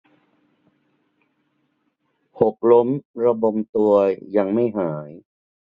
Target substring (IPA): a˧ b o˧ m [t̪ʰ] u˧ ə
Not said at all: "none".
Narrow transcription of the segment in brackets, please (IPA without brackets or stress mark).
t̪